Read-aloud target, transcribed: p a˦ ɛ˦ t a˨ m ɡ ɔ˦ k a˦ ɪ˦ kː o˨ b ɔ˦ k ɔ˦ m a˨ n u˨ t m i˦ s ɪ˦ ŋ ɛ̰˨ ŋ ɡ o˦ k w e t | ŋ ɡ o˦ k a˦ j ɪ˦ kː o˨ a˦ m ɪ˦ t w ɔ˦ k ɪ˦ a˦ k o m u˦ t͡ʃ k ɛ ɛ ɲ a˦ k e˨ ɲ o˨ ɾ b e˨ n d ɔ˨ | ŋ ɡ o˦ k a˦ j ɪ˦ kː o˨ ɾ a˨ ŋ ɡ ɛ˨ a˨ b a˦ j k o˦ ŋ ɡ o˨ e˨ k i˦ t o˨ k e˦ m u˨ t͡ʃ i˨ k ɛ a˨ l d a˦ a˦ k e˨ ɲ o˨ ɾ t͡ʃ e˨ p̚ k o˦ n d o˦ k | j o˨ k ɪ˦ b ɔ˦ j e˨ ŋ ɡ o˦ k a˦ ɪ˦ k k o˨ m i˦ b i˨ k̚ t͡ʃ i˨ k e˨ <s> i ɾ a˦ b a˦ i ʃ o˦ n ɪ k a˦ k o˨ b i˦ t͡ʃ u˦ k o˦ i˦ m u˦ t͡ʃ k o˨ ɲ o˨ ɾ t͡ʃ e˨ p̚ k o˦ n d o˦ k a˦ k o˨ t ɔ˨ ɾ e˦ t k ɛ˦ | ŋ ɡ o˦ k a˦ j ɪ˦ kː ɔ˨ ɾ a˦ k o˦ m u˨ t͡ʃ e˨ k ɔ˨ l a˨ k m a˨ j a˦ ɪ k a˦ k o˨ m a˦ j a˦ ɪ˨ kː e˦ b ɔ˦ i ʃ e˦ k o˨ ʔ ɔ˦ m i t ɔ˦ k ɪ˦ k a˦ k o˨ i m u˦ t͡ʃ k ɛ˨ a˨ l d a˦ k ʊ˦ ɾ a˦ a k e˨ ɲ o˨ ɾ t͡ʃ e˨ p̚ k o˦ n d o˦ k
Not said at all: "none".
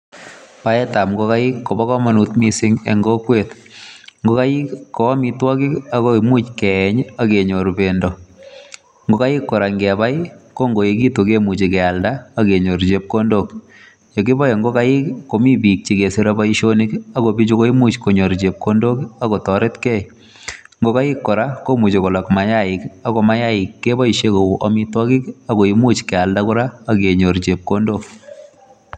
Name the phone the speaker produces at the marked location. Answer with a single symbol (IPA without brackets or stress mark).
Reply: s